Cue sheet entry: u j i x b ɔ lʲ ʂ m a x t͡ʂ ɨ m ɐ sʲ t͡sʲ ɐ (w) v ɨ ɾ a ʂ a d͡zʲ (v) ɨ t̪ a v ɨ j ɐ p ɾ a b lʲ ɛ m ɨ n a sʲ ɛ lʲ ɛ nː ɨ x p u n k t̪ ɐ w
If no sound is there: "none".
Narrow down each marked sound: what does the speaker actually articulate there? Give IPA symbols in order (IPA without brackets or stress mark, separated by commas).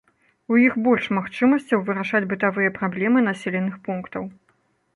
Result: w, b